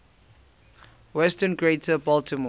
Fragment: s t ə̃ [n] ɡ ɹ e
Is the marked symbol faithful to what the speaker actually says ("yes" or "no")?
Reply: yes